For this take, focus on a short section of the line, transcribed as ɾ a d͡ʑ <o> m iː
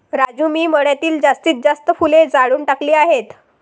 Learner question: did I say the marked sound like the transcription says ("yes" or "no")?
no